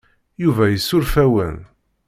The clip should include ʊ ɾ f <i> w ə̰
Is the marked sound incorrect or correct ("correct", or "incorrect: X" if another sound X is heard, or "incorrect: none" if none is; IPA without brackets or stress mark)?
incorrect: æ